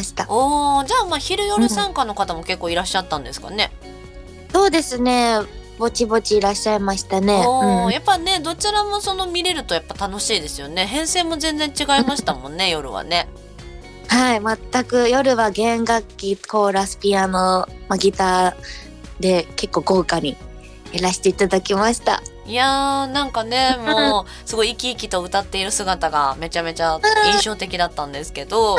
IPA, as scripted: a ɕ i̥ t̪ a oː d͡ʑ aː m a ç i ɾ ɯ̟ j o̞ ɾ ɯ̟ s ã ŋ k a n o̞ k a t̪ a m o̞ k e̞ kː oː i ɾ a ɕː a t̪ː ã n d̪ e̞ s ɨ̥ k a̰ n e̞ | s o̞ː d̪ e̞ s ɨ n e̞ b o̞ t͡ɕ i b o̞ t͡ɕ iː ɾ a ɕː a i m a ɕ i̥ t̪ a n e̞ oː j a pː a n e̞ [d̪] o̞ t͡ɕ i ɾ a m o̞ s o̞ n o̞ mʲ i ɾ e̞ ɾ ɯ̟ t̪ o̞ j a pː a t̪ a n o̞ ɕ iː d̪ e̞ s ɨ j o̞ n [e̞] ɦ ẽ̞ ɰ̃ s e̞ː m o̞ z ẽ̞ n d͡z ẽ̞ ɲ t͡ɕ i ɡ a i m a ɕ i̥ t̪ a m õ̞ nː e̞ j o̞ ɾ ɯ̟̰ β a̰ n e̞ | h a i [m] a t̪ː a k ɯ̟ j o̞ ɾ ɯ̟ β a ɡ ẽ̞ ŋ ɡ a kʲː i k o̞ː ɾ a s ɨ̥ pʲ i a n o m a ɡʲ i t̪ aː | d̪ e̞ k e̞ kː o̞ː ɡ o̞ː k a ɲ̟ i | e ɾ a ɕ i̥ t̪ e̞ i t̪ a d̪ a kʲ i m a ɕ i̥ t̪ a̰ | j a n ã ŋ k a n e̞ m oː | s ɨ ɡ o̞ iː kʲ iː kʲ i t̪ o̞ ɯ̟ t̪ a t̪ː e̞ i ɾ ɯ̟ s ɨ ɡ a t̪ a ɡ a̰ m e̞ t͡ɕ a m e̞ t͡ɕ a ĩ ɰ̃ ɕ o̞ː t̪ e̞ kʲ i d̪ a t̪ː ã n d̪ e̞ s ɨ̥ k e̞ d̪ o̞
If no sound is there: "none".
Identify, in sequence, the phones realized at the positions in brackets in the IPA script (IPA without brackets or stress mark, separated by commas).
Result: d̪, e̞, m